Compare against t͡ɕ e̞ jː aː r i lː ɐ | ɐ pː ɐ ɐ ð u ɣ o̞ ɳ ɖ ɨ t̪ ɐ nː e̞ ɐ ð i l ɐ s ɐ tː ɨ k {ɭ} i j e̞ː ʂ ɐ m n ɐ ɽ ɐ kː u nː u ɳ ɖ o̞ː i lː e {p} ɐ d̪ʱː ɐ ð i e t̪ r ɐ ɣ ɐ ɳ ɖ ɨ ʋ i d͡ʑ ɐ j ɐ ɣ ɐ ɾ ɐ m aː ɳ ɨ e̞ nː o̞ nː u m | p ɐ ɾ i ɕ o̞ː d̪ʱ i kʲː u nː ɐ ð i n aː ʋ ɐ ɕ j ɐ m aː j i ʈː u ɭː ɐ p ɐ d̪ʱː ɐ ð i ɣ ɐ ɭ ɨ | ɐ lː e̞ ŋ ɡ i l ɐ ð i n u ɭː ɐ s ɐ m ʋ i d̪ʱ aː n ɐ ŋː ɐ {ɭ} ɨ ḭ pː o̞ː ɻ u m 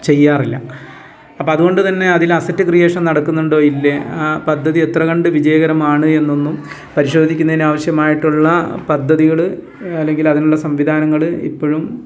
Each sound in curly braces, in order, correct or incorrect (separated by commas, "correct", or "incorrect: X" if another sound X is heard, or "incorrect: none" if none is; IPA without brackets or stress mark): incorrect: r, correct, correct